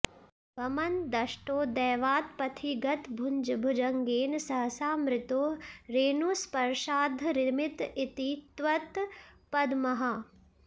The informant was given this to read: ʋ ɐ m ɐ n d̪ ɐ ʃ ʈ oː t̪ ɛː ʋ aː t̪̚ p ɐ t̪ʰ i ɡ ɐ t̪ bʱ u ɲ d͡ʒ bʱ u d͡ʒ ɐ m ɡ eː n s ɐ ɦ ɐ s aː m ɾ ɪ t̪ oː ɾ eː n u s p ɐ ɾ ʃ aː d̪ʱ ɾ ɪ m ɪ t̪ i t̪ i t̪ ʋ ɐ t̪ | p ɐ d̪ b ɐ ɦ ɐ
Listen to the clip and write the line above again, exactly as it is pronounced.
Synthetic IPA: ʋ ɐ m ɐ n d̪ ɐ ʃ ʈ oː d̪ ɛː ʋ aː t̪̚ p ɐ t̪ʰ i ɡ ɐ t̪ bʱ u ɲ d͡ʒ bʱ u d͡ʒ ɐ ŋ ɡ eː n s ɐ ɦ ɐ s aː m ɾ ɪ t̪ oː ɾ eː n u s p ɐ ɾ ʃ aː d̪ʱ ɾ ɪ m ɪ t̪ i t̪ i t̪ ʋ ɐ t̪ | p ɐ d̪ m ɐ ɦ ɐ